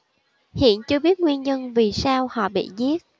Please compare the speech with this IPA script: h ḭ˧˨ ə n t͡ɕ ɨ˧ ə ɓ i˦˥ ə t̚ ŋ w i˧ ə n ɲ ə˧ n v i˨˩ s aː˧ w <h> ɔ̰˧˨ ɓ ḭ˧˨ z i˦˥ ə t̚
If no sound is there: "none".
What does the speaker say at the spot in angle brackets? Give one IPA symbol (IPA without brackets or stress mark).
h